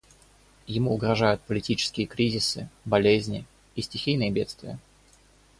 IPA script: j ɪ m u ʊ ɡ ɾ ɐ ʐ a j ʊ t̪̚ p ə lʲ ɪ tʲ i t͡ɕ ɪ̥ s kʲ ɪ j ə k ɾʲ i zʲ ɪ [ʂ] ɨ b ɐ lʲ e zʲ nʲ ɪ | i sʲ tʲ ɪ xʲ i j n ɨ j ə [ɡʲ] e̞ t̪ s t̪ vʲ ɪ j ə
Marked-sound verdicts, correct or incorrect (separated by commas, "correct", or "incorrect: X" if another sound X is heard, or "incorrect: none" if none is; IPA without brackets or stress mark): incorrect: s, incorrect: bʲ